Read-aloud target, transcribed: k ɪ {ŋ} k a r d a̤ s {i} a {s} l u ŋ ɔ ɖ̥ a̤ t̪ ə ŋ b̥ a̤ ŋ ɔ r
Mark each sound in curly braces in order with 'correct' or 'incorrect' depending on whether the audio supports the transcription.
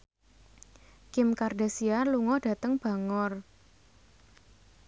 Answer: incorrect: m, correct, incorrect: none

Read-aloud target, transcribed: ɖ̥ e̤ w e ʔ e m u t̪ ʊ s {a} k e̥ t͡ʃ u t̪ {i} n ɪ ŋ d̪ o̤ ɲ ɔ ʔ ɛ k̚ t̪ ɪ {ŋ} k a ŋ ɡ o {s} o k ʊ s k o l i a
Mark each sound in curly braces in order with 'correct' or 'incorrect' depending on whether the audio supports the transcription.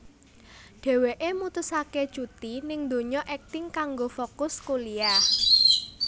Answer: correct, correct, correct, incorrect: f

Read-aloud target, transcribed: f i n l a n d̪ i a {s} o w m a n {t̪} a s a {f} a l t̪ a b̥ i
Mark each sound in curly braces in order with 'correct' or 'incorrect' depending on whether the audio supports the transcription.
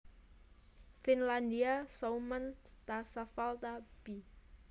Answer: correct, correct, correct

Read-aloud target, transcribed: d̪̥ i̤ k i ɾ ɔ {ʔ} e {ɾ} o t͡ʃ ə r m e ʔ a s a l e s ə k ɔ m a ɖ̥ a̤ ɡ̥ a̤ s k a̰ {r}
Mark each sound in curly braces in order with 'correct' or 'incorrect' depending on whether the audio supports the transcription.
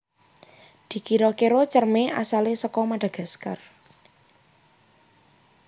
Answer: incorrect: k, correct, correct

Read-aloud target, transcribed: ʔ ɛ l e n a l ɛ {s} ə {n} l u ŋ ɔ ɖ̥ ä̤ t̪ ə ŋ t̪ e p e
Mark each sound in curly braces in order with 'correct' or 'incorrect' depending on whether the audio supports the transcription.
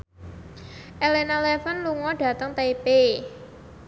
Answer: incorrect: f, correct

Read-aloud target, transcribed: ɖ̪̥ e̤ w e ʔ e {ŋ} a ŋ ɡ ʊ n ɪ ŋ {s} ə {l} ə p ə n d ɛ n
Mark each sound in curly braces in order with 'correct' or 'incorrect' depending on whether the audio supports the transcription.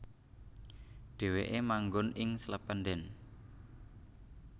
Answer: incorrect: m, correct, correct

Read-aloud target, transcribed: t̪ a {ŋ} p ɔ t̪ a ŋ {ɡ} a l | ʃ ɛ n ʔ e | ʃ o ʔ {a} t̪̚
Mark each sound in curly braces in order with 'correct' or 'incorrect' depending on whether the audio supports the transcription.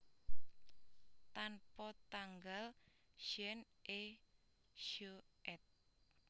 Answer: incorrect: n, correct, incorrect: ɛ

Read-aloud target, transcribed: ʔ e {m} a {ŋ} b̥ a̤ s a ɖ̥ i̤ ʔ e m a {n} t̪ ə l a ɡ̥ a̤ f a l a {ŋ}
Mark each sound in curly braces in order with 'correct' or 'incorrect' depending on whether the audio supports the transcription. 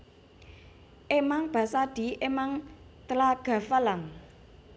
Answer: correct, correct, incorrect: ŋ, correct

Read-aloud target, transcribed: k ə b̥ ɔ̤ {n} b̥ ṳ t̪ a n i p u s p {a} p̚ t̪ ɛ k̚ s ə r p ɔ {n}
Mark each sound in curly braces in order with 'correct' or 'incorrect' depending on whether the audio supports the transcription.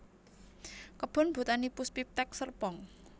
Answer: correct, incorrect: i, incorrect: ŋ

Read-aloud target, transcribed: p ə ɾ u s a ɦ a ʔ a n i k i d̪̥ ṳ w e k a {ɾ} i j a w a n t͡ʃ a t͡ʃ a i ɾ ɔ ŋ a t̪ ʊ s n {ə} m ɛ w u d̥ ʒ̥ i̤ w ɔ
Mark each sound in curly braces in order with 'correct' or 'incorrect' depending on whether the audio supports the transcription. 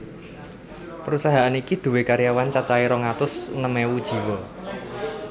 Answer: correct, correct

